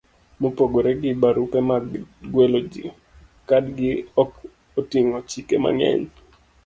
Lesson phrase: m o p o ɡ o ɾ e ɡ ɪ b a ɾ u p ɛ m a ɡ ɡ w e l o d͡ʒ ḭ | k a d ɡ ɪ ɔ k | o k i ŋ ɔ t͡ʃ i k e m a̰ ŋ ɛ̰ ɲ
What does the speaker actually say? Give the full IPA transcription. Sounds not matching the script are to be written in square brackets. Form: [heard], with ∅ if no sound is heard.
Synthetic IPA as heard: m o p o ɡ o ɾ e ɡ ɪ b a ɾ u p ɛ m a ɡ ɡ w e l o d͡ʒ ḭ | k a d ɡ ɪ ɔ k | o [t] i ŋ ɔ t͡ʃ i k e m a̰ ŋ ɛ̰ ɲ